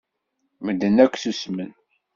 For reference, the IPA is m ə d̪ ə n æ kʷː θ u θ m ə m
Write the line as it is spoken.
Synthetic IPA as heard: m ə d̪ ə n æ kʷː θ u s m ə n